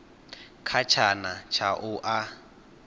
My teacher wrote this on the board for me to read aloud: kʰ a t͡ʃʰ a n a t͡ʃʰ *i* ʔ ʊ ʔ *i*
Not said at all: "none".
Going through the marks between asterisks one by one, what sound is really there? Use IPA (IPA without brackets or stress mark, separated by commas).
a, a